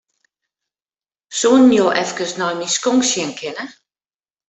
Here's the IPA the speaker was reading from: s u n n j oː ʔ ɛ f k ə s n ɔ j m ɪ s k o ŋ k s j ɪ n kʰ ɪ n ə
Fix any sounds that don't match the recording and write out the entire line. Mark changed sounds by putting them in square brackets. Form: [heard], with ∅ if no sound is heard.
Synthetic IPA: s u n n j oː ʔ ɛ f k ə s n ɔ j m [i] s k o ŋ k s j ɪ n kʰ ɪ n ə